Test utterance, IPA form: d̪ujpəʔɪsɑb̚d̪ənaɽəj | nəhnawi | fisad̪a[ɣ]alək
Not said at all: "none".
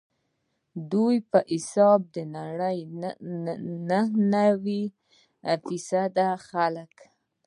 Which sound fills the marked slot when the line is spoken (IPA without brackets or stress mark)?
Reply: x